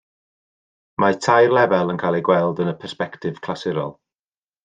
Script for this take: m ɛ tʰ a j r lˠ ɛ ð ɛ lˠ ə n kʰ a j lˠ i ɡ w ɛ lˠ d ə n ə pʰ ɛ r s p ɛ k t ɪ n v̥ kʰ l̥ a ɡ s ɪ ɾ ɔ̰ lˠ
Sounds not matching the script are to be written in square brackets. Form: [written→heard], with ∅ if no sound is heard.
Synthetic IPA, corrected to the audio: m [ɛ→a] tʰ a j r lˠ ɛ [ð→v] ɛ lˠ ə n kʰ a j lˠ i ɡ w ɛ lˠ d ə n ə pʰ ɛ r s p ɛ k t ɪ [n→∅] v̥ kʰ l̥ a [ɡ→∅] s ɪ ɾ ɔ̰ lˠ